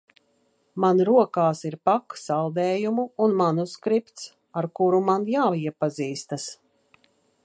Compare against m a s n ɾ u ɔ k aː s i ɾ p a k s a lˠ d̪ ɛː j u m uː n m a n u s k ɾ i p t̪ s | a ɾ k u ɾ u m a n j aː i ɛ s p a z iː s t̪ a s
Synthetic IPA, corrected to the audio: m a n ɾ u ɔ k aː s i ɾ p a k s a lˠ d̪ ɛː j u m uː n m a n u s k ɾ i p t̪ s | a ɾ k u ɾ u m a n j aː i ɛ p a z iː s t̪ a s